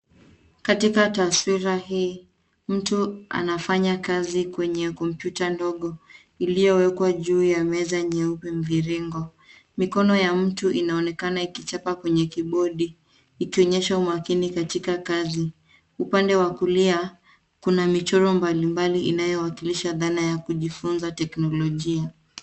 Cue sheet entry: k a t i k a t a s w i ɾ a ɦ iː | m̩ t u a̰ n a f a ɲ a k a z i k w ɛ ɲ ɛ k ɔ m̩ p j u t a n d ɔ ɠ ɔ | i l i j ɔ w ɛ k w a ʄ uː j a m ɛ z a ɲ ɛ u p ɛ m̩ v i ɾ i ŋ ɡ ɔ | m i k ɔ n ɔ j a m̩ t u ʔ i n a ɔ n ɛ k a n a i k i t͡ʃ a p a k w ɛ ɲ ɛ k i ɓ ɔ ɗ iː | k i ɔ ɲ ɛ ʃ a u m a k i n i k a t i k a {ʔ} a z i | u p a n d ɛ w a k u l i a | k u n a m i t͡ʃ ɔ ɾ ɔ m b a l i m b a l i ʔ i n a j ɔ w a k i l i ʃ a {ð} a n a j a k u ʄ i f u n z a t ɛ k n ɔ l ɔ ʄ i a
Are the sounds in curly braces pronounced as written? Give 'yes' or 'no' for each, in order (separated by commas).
no, yes